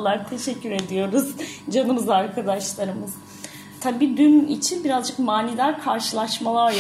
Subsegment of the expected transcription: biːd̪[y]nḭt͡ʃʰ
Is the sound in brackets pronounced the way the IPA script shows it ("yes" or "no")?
yes